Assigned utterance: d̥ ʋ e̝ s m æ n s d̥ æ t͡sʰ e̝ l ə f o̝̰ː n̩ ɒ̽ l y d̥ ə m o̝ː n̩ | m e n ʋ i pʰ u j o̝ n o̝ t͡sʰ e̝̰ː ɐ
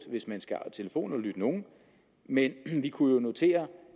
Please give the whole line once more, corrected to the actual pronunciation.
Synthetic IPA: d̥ ʋ e̝ s m æ n s ɡ̥ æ t͡sʰ e̝ l ə f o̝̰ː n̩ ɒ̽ l y d̥ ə n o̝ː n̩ | m e n ʋ i kʰ u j o̝ n o̝ t͡sʰ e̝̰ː ɐ